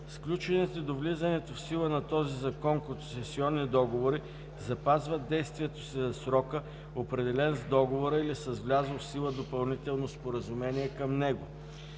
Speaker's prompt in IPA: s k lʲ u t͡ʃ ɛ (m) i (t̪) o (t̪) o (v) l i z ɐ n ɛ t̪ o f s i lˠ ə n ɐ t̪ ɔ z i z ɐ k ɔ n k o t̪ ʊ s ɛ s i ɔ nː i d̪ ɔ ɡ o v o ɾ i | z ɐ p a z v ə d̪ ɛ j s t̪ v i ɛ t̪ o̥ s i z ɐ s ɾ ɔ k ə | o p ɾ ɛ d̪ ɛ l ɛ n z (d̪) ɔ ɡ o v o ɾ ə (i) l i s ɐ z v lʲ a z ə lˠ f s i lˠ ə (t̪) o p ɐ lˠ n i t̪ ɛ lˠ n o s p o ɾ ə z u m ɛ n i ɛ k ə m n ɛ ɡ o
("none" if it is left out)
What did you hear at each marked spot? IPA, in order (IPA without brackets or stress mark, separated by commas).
n, t̪, d̪, v, d̪, i, d̪